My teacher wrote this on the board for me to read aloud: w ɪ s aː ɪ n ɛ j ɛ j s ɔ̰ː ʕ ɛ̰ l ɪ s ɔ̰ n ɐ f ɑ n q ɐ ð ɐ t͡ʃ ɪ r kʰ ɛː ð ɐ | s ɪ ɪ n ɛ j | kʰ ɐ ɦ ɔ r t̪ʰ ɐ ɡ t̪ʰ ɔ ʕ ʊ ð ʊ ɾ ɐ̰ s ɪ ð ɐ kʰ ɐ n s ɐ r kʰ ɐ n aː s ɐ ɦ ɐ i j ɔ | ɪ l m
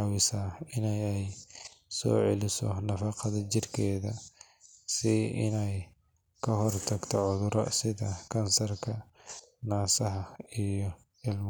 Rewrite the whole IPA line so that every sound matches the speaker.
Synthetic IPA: w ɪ s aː ɪ n ɛ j ɛ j s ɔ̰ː ʕ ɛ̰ l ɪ s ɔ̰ n ɐ f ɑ q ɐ ð ɐ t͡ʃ ɪ r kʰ ɛː ð ɐ | s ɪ ɪ n ɛ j | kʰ ɐ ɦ ɔ r t̪ʰ ɐ ɡ t̪ʰ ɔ ʕ ʊ ð ʊ ɾ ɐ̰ s ɪ ð ɐ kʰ ɐ n s ɐ r kʰ ɐ n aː s ɐ ɦ ɐ i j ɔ | ɪ l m